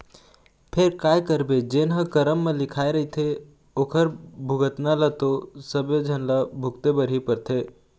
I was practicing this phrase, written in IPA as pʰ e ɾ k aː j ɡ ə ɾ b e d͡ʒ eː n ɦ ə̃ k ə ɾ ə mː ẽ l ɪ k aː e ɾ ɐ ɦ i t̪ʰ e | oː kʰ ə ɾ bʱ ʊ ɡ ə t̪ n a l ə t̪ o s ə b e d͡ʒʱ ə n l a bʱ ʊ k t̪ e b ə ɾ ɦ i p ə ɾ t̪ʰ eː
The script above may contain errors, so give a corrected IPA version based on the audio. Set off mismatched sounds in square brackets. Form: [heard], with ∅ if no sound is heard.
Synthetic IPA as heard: pʰ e ɾ k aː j [k] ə ɾ b e d͡ʒ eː n ɦ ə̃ k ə ɾ ə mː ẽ l ɪ [kʰ] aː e ɾ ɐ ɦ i t̪ʰ e | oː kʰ ə ɾ bʱ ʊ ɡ ə t̪ n a l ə t̪ o s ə b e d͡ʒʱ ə n l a bʱ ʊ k t̪ e b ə ɾ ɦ i p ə ɾ t̪ʰ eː